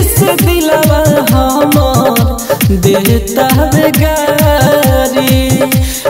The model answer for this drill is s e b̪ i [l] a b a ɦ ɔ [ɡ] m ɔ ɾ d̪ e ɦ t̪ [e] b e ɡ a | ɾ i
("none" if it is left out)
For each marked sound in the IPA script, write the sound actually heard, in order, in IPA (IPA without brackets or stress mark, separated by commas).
l, none, a